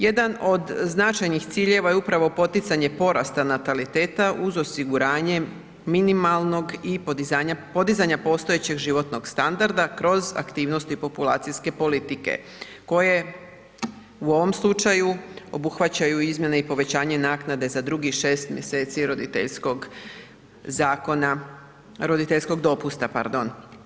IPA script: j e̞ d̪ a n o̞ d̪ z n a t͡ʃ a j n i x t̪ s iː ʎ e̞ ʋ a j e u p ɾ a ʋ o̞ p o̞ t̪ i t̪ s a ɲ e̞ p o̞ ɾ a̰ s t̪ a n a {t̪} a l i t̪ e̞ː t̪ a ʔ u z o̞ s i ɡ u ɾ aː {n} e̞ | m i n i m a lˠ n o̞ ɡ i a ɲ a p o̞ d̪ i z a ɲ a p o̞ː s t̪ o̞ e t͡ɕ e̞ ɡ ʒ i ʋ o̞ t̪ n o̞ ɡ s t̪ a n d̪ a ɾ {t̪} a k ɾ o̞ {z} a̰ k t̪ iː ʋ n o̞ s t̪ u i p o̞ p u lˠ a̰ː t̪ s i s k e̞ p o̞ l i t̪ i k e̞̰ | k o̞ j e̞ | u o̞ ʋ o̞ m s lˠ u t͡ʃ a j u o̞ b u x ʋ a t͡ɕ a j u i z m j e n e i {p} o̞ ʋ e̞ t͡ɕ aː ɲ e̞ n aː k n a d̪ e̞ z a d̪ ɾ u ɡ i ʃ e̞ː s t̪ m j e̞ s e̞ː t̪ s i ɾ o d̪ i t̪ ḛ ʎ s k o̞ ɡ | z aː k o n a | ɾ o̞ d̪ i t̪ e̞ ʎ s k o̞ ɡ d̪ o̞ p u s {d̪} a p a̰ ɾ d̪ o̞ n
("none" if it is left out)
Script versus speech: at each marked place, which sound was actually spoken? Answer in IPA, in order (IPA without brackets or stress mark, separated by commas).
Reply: t̪, ɲ, d̪, z, p, t̪